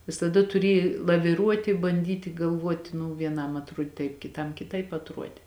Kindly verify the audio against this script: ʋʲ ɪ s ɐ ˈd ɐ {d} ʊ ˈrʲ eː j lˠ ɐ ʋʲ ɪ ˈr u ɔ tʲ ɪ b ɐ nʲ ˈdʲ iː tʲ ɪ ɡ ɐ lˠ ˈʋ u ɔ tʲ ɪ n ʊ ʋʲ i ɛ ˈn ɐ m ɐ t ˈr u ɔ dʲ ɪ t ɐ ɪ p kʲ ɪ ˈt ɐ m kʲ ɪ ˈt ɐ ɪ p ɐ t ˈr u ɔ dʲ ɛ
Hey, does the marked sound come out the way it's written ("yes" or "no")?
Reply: no